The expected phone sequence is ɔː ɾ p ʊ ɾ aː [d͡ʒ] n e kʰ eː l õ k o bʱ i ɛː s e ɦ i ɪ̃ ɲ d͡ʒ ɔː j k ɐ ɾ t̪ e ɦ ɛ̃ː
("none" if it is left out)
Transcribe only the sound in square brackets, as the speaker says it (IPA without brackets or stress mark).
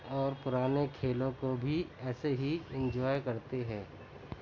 none